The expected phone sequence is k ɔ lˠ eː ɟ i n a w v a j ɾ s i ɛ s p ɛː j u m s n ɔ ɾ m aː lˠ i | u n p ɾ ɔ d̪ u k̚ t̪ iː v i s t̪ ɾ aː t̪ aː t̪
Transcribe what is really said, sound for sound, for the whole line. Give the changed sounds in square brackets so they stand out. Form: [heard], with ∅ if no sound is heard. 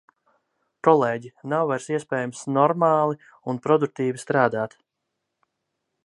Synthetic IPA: k ɔ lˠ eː ɟ i n a w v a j ɾ s i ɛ s p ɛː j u m s n ɔ ɾ m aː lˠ i | u n p ɾ ɔ d̪ u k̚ t̪ iː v i s t̪ ɾ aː [d̪] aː t̪